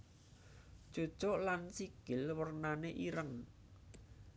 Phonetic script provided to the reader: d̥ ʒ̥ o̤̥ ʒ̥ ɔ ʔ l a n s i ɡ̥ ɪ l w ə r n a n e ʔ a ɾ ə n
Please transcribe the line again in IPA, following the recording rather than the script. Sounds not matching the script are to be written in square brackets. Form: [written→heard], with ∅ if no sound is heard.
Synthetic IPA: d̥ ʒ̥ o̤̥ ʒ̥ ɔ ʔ l a n s i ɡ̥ ɪ l w ə r n a n e ʔ [a→i] ɾ ə [n→ŋ]